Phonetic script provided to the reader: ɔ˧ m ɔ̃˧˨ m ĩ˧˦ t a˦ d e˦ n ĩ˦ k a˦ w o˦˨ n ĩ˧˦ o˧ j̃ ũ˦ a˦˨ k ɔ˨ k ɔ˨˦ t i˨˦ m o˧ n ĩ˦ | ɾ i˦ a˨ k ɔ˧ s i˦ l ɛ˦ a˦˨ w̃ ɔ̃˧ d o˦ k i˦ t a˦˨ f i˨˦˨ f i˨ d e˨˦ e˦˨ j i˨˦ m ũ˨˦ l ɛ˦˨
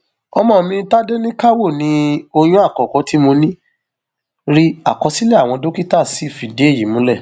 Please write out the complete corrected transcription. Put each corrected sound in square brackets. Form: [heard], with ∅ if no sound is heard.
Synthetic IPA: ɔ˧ m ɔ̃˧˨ m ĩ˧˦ t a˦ d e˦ n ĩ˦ k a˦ w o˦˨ n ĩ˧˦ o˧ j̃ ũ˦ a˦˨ k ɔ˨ k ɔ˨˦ t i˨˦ m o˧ n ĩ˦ | ɾ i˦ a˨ k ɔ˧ s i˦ l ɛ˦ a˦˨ w̃ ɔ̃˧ d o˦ k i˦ t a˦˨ [s] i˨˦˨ f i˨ d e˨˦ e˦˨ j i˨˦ m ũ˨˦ l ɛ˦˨